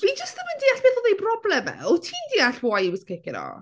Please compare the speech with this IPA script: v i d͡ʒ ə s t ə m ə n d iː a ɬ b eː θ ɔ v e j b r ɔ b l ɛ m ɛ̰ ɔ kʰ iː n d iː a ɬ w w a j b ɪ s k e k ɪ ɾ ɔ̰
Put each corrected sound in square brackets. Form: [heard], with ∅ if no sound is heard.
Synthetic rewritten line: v i d͡ʒ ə s t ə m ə n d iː a ɬ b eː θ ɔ [ð] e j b r ɔ b l ɛ m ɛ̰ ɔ [tʰ] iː n d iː a ɬ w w a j [w] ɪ s k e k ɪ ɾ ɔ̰